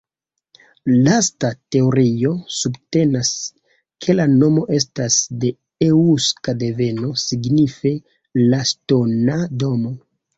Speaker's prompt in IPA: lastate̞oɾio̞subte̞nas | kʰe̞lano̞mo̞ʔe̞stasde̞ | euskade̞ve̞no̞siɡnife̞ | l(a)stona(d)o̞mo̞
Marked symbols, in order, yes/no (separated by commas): yes, yes